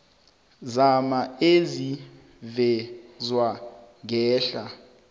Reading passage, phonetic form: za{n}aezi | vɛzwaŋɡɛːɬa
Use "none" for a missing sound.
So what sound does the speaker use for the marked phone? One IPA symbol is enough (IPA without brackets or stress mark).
m